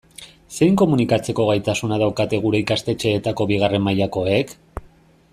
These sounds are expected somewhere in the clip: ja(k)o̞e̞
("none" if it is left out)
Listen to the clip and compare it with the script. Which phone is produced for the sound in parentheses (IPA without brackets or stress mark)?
k